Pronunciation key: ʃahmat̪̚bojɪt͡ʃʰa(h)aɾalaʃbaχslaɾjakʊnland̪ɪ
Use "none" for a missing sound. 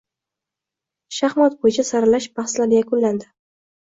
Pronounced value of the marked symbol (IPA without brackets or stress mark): s